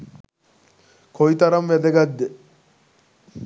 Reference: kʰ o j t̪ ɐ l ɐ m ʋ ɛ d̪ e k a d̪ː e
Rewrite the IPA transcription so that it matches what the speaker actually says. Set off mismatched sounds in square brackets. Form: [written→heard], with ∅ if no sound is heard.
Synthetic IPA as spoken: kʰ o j t̪ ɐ [l→ɾ] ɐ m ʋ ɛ d̪ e [k→ɡ] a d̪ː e